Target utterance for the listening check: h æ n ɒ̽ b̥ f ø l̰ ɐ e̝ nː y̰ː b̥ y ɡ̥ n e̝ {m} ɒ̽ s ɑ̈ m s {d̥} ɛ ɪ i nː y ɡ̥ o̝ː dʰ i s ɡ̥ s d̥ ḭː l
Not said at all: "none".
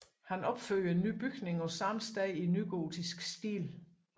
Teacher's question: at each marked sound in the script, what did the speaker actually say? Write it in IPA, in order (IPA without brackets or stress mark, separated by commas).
ŋ, d̥